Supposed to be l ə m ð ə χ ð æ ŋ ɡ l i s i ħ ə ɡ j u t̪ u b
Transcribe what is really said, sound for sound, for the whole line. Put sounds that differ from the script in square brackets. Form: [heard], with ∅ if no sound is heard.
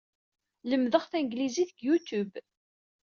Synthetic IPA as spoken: l ə m ð ə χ [θ] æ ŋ ɡ l i [z] i [θ] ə ɡ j u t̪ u b